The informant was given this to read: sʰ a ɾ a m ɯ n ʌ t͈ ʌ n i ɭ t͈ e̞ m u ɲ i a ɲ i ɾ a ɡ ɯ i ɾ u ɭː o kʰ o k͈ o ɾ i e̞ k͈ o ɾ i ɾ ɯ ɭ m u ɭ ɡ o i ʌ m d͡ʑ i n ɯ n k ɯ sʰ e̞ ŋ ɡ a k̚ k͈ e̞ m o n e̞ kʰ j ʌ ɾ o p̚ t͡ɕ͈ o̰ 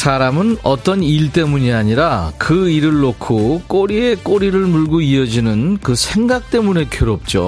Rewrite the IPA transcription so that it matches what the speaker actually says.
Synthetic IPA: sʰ a ɾ a m ɯ n ʌ t͈ ʌ n i ɭ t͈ e̞ m u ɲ i a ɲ i ɾ a k ɯ i ɾ ɯ ɭː o kʰ o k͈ o ɾ i e̞ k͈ o ɾ i ɾ ɯ ɭ m u ɭ ɡ o i ʌ d͡ʑ i n ɯ n k ɯ sʰ e̞ ŋ ɡ a k̚ t͈ e̞ m u n e̞ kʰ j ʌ ɾ o p̚ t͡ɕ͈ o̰